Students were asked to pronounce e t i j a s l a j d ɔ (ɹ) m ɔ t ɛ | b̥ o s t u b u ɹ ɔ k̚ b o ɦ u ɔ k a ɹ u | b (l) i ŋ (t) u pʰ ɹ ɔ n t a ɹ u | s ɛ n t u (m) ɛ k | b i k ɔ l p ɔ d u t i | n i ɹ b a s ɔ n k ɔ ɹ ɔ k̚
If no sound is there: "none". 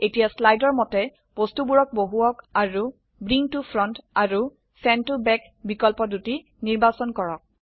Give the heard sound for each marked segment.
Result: ɹ, ɹ, t, b

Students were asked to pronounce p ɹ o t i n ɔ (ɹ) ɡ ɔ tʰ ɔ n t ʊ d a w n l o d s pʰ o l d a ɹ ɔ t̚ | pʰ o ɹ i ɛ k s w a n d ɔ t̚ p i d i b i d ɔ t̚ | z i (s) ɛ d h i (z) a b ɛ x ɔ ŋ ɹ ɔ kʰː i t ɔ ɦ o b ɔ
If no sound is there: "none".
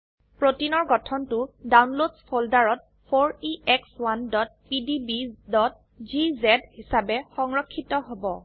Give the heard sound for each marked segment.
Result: ɹ, z, s

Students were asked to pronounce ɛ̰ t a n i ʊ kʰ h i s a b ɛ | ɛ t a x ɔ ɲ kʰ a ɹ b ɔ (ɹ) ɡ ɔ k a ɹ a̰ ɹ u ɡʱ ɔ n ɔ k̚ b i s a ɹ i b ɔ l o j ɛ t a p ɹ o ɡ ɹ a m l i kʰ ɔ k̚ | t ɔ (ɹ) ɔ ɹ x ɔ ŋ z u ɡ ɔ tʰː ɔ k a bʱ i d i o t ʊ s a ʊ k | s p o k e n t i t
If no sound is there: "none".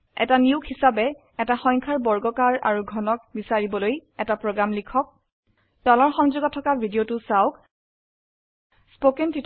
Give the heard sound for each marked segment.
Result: ɹ, l

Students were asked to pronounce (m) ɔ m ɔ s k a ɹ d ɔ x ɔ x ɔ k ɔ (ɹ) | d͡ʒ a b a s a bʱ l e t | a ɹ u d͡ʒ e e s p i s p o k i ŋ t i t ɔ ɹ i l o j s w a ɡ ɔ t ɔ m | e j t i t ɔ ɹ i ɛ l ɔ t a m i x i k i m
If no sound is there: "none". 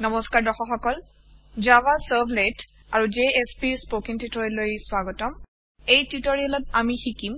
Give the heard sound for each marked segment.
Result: n, l

